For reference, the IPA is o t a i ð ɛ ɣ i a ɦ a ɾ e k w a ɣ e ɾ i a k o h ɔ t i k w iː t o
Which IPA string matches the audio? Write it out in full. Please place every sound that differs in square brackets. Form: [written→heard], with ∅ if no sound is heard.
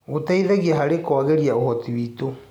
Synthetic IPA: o t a i ð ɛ ɣ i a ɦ a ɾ e k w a ɣ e ɾ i a [k→∅] o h ɔ t i [k→∅] w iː t o